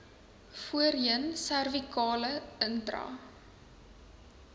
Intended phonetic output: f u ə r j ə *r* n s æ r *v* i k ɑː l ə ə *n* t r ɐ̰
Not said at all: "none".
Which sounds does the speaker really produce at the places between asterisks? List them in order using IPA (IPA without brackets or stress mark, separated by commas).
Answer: none, v, n